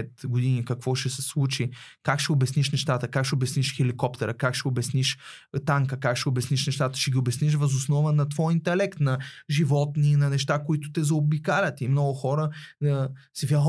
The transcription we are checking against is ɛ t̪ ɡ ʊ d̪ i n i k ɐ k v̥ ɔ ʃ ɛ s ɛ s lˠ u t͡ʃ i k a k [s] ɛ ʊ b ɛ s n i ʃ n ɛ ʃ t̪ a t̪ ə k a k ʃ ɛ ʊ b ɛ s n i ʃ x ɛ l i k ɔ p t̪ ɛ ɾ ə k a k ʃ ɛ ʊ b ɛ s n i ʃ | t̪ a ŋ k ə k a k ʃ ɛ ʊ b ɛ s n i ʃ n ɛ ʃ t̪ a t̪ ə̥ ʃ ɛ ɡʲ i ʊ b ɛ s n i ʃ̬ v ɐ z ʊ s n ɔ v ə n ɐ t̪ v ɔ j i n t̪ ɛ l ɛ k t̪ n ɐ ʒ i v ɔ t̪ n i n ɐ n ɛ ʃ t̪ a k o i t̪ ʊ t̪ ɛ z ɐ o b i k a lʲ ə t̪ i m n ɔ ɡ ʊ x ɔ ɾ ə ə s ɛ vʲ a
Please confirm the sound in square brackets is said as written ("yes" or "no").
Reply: no